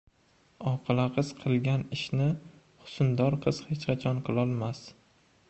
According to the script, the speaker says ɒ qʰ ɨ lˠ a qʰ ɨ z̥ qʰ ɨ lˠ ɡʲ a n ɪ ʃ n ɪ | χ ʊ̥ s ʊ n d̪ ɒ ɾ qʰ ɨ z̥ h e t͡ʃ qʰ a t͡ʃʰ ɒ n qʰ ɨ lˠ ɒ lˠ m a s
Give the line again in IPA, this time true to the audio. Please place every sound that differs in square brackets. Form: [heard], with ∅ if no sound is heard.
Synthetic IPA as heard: ɒ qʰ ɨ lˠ a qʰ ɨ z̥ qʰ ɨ lˠ ɡʲ a n ɪ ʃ n ɪ | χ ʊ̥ s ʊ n d̪ ɒ ɾ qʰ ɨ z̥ h e t͡ʃ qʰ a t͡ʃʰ ɒ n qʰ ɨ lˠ ɒ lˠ m a s